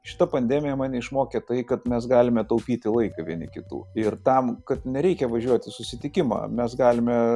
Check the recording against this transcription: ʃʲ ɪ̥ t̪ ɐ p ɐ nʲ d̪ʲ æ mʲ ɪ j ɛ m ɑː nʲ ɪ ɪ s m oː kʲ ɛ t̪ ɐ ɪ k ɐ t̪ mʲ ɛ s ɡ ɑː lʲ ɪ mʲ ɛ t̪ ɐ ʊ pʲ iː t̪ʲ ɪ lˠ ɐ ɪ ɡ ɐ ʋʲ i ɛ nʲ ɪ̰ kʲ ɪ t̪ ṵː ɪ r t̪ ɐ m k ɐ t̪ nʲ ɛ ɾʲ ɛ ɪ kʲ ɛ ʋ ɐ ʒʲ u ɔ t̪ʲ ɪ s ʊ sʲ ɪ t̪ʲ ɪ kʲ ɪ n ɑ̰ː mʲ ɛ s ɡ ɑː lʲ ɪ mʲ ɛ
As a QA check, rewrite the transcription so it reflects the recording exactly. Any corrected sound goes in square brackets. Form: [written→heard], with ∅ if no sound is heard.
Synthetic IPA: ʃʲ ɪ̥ t̪ ɐ p ɐ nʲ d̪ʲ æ mʲ ɪ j ɛ m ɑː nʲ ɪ ɪ [s→ʃ] m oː kʲ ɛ t̪ ɐ ɪ k ɐ t̪ mʲ ɛ s ɡ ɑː lʲ ɪ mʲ ɛ t̪ ɐ ʊ pʲ iː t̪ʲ ɪ lˠ ɐ ɪ [ɡ→k] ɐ ʋʲ i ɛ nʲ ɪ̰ kʲ ɪ t̪ ṵː ɪ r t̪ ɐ m k ɐ t̪ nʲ ɛ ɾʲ ɛ ɪ kʲ ɛ ʋ ɐ ʒʲ u ɔ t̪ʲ ɪ s ʊ sʲ ɪ t̪ʲ ɪ kʲ ɪ [n→m] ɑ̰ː mʲ ɛ s ɡ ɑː lʲ ɪ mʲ ɛ

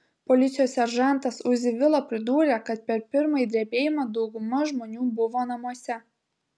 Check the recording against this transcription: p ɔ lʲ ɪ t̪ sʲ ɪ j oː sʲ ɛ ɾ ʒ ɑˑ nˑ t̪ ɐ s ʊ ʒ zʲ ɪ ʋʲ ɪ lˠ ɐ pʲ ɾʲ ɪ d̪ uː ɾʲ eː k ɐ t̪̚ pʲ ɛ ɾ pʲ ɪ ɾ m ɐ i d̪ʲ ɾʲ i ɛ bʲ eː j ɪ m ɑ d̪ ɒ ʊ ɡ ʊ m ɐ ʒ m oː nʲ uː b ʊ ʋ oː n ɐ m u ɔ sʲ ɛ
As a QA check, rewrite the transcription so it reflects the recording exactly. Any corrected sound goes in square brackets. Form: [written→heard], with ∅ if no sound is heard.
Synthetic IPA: p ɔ lʲ ɪ t̪ sʲ ɪ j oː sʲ ɛ ɾ ʒ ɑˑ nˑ t̪ ɐ s ʊ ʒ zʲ ɪ ʋʲ ɪ lˠ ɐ pʲ ɾʲ ɪ d̪ uː ɾʲ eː k ɐ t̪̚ pʲ ɛ ɾ pʲ ɪ ɾ m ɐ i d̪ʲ ɾʲ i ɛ bʲ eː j ɪ m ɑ d̪ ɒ ʊ ɡ ʊ m ɐ ʒ m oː nʲ uː b ʊ ʋ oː n ɐ m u ɔ sʲ ɛ

